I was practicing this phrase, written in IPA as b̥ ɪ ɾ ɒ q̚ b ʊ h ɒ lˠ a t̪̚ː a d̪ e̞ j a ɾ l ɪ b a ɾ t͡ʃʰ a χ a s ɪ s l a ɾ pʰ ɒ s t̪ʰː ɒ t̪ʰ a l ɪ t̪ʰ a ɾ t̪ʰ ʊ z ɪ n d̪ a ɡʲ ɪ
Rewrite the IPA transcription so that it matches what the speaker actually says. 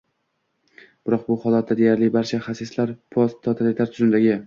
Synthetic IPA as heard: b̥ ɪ ɾ ɒ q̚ b ʊ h ɒ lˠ a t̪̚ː a d̪ e̞ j a ɾ l ɪ b a ɾ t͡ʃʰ a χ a s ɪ s l a ɾ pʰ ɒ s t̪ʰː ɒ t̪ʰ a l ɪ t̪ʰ a ɾ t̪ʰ ʊ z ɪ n d̪ a ɡʲ ɪ